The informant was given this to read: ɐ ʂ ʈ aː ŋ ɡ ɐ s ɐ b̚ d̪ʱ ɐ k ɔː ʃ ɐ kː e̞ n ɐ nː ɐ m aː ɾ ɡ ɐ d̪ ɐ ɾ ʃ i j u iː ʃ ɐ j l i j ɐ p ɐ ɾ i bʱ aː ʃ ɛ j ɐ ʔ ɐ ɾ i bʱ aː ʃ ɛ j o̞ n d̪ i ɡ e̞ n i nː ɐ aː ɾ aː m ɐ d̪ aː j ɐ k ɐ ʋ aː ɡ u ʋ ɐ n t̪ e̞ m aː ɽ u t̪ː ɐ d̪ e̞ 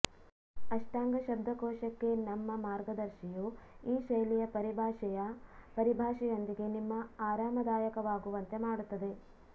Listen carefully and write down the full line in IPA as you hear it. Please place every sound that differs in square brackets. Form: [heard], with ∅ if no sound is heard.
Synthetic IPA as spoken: ɐ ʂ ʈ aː ŋ ɡ ɐ [ʃ] ɐ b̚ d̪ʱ ɐ k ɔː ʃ ɐ kː e̞ n ɐ [mː] ɐ m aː ɾ ɡ ɐ d̪ ɐ ɾ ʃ i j u iː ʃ ɐ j l i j ɐ p ɐ ɾ i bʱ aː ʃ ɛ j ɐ [p] ɐ ɾ i bʱ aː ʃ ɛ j o̞ n d̪ i ɡ e̞ n i [mː] ɐ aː ɾ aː m ɐ d̪ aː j ɐ k ɐ ʋ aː ɡ u ʋ ɐ n t̪ e̞ m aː ɽ u t̪ː ɐ d̪ e̞